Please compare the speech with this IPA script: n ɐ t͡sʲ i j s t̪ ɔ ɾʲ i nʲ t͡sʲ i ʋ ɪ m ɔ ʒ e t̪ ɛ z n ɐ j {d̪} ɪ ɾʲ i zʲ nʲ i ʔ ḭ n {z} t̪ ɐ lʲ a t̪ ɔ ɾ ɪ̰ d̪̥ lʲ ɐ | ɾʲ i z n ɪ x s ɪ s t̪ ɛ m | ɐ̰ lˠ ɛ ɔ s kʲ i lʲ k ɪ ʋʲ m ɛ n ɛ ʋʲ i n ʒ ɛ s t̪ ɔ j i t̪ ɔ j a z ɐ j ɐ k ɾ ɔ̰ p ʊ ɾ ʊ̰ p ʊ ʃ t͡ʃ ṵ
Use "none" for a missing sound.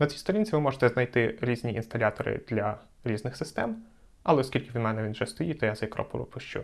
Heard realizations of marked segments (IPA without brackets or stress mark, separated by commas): t̪, s